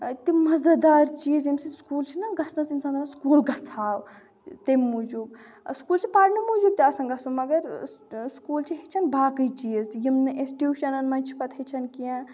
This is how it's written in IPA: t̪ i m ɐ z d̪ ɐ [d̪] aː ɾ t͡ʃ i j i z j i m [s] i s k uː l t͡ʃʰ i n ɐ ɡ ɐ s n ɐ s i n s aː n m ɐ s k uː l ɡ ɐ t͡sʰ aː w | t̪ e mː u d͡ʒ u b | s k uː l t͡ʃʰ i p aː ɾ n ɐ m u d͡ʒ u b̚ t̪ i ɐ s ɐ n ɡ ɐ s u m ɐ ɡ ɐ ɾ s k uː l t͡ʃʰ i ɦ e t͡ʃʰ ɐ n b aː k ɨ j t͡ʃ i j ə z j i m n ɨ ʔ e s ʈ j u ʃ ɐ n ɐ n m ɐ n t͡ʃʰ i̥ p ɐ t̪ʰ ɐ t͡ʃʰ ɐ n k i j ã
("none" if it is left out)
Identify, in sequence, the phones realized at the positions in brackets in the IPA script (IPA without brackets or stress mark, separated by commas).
d̪, s